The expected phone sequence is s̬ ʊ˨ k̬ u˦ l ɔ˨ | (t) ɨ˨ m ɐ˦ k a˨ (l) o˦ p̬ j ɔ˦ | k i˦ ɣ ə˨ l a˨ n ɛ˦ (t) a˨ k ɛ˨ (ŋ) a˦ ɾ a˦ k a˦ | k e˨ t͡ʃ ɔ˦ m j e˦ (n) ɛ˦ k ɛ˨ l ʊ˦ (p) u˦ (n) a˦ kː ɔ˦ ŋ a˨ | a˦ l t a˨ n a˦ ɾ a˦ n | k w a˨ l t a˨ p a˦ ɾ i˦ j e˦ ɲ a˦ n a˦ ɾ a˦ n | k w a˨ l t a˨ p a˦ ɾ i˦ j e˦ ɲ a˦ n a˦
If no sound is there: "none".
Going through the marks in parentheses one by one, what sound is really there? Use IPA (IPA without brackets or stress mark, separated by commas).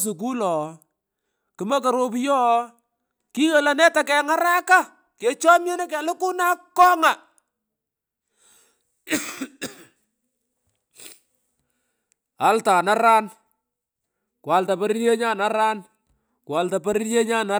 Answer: k, ɾ, t, ŋ, n, k, n